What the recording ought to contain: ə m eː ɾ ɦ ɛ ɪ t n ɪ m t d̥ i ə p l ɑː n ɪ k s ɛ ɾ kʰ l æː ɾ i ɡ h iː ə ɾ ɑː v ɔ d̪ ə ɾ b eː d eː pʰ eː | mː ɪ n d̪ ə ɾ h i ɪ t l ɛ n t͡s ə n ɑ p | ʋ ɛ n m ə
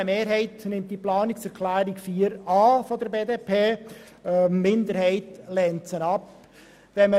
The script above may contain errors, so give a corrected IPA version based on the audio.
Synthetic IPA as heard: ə m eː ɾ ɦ ɛ ɪ t n ɪ m t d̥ i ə p l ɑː n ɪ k s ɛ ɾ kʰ l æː ɾ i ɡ f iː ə ɾ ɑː f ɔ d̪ ə ɾ b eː d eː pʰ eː | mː ɪ n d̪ ə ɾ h ɛ ɪ t l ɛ n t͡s ə n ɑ p | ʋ ɛ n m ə